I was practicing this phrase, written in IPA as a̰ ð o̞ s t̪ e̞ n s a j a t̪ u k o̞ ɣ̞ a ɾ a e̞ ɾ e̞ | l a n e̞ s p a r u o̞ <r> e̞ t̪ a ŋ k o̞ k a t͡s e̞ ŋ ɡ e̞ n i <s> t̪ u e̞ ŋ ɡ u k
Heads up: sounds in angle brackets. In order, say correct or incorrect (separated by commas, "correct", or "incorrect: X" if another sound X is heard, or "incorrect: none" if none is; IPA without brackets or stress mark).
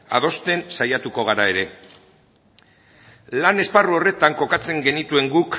correct, incorrect: none